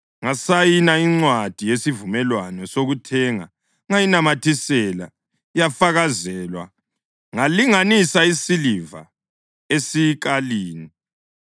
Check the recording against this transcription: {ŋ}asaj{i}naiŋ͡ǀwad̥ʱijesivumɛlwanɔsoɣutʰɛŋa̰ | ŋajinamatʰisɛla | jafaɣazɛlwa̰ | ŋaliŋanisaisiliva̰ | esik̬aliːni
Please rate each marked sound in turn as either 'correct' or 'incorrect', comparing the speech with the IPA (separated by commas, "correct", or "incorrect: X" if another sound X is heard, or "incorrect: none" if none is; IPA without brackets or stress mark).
correct, correct